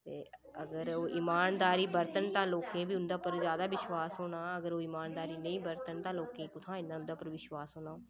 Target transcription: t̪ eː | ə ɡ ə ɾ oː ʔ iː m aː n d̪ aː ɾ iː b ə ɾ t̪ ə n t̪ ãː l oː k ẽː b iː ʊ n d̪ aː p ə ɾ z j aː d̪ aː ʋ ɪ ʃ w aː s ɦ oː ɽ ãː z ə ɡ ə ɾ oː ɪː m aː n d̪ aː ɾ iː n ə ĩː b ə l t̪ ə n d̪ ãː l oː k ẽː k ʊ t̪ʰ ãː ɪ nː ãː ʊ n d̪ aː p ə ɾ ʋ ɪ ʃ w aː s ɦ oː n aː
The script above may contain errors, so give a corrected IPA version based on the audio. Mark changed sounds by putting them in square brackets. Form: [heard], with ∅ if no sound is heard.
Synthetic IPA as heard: t̪ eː | ə ɡ ə ɾ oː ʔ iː m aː n d̪ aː ɾ iː b ə ɾ t̪ ə n t̪ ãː l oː k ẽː b iː ʊ n d̪ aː p ə ɾ z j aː d̪ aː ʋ ɪ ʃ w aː s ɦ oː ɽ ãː [∅] ə ɡ ə ɾ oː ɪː m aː n d̪ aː ɾ iː n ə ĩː b ə [ɾ] t̪ ə n [t̪] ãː l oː k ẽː k ʊ t̪ʰ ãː ɪ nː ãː ʊ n d̪ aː p ə ɾ ʋ ɪ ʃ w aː s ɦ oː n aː

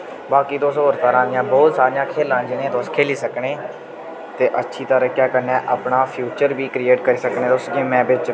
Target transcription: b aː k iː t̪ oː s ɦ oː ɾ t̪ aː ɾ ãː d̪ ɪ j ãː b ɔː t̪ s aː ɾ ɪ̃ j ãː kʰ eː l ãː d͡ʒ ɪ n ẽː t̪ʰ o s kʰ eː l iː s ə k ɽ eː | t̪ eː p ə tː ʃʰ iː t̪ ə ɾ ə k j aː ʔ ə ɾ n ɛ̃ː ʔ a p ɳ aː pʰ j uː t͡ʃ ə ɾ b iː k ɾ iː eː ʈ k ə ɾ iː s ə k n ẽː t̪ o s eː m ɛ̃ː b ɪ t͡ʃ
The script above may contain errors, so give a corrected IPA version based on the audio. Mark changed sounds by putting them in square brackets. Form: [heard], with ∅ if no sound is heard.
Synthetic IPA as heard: b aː k iː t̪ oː s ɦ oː ɾ t̪ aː ɾ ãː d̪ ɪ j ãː b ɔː t̪ s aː ɾ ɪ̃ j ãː kʰ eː l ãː d͡ʒ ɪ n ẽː [t̪] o s kʰ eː l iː s ə k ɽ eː | t̪ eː [ʔ] ə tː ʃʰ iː t̪ ə ɾ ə k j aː [k] ə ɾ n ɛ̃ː ʔ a p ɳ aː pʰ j uː t͡ʃ ə ɾ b iː k ɾ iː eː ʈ k ə ɾ iː s ə k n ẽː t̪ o s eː m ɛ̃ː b ɪ t͡ʃ

